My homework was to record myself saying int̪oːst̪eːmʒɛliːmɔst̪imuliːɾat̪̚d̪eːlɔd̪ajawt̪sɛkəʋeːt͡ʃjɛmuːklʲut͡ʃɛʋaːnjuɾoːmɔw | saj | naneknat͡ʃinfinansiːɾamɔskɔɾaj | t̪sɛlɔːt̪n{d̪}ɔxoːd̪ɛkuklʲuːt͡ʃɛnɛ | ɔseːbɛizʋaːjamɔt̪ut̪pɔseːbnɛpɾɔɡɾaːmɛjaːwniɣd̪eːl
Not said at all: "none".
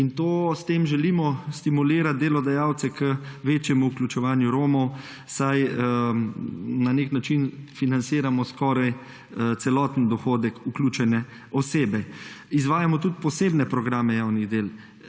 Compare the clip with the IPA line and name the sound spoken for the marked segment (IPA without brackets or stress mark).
d̪